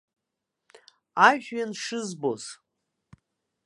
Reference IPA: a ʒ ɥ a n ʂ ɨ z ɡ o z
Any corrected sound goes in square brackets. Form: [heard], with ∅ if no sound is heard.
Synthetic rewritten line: a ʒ ɥ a n ʂ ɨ z [b] o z